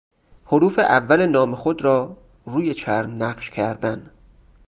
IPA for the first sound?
h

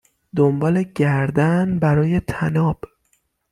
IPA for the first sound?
d̪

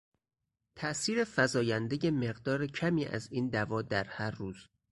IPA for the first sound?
t̪ʰ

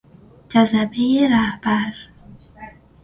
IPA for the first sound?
d͡ʒ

